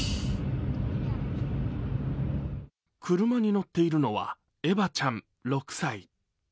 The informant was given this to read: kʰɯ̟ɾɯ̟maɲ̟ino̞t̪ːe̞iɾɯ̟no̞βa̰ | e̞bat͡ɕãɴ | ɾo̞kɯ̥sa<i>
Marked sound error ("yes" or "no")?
no